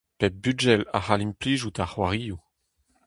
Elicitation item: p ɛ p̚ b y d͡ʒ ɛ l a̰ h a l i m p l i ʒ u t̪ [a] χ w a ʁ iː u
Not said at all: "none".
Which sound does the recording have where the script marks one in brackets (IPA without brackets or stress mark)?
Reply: a